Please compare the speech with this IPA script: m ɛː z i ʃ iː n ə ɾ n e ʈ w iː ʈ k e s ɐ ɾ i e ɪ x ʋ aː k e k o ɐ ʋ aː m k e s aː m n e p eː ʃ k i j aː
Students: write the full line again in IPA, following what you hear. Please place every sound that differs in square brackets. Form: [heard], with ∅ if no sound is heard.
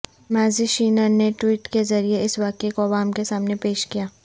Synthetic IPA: m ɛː z i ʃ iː n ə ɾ n e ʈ w iː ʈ k e [z] ɐ ɾ i e ɪ [s] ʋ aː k e k o ɐ ʋ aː m k e s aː m n e p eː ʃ k i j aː